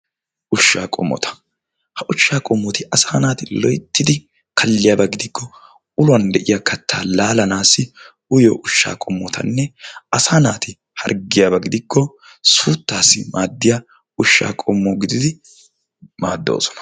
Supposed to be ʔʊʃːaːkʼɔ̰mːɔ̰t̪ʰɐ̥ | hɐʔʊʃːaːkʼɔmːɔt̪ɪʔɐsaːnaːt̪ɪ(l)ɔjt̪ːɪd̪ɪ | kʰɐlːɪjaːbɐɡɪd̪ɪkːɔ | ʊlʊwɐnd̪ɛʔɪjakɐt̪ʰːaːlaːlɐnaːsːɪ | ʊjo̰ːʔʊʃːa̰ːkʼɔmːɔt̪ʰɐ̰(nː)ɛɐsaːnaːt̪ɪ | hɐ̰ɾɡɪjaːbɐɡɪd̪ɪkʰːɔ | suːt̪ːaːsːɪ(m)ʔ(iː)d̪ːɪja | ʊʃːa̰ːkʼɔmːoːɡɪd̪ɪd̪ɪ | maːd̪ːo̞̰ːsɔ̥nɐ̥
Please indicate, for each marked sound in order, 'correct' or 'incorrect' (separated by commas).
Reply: correct, correct, correct, incorrect